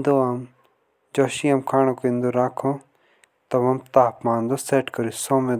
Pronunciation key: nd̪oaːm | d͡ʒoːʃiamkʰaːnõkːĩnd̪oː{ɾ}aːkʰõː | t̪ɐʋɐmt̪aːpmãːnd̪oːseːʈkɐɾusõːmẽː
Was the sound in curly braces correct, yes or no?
yes